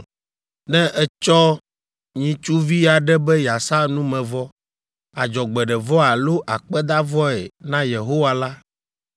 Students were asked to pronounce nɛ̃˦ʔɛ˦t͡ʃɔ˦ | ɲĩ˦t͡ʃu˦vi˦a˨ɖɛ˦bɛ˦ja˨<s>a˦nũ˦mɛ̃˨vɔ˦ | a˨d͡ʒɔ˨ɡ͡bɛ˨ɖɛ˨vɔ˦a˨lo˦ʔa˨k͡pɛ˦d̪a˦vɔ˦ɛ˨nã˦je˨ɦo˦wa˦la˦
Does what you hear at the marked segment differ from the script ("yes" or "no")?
no